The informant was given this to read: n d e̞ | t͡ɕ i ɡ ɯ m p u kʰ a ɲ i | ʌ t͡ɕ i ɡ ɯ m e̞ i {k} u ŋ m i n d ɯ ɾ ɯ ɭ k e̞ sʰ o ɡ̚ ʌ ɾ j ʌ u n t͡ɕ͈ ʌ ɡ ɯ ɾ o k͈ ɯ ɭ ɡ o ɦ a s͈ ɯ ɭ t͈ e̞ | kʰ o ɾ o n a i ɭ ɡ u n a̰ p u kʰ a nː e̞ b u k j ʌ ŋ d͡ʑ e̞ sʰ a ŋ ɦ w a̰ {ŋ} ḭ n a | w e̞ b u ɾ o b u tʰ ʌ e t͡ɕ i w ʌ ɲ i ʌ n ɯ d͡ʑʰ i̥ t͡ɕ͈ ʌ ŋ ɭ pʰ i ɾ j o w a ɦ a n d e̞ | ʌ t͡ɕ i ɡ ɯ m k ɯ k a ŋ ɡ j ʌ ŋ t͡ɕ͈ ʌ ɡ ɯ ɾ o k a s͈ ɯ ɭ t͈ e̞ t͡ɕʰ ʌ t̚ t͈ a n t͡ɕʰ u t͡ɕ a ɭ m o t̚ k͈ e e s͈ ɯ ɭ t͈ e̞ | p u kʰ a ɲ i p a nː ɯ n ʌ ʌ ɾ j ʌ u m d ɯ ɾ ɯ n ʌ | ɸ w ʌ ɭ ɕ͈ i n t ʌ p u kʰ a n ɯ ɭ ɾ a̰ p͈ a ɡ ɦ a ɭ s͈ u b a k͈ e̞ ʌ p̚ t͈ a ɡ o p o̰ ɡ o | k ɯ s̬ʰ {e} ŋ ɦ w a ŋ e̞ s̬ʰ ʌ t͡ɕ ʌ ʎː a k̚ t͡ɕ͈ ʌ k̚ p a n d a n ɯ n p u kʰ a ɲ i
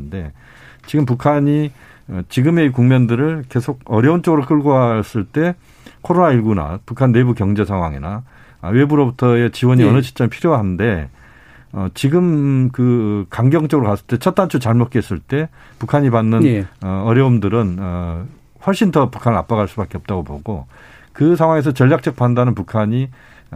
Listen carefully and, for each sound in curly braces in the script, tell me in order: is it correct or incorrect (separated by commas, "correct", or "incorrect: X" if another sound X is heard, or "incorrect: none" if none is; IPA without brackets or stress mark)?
correct, correct, incorrect: a